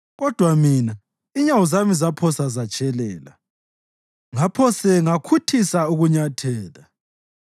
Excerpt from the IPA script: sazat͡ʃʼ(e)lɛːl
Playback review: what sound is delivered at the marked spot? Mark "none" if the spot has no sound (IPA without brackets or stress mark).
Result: ɛ